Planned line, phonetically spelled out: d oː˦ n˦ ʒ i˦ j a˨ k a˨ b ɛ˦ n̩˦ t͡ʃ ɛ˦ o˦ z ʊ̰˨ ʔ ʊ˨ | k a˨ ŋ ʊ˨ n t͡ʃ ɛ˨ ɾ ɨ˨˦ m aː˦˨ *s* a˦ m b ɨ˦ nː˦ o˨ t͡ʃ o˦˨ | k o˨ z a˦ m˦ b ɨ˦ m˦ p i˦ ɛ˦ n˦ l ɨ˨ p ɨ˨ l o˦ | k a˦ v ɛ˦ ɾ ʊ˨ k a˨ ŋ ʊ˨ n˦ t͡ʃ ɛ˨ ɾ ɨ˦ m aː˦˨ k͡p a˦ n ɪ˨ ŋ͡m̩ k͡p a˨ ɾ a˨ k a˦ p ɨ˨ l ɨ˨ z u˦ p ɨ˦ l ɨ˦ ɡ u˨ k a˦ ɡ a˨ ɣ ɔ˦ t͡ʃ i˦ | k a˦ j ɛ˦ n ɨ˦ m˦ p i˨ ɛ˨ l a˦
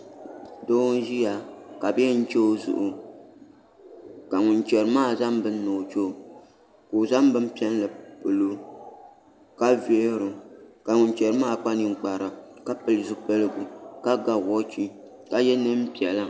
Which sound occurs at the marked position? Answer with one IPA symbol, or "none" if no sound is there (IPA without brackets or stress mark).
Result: z